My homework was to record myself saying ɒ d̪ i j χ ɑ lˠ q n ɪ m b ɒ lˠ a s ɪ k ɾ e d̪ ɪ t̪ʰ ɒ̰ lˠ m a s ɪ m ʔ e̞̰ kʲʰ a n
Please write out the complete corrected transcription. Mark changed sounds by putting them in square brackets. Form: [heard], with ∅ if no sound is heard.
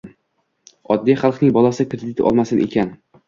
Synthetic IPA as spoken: ɒ [d̪ː] i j χ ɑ lˠ q n ɪ [ŋ] b ɒ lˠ a s ɪ k ɾ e d̪ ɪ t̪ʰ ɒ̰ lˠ m a s ɪ [n] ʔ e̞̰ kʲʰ a n